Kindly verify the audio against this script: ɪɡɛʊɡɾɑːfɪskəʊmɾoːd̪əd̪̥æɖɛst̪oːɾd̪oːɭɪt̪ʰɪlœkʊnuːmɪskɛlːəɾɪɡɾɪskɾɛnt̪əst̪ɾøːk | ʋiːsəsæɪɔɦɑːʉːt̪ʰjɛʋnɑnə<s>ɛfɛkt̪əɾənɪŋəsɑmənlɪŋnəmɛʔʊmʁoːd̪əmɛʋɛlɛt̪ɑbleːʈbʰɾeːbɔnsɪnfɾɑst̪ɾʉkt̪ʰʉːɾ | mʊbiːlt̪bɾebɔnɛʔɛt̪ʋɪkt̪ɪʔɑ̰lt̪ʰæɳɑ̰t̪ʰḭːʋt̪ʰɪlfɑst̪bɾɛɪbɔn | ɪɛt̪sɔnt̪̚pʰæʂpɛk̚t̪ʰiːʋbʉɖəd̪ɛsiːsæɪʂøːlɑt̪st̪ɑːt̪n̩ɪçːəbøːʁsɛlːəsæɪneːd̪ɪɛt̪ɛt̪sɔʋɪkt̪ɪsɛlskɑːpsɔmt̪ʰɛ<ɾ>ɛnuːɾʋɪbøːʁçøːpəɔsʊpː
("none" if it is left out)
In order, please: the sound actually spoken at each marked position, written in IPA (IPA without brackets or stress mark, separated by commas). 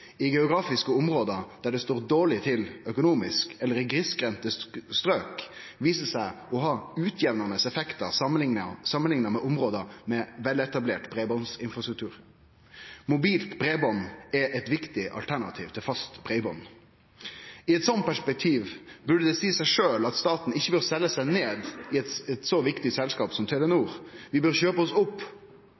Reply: s, l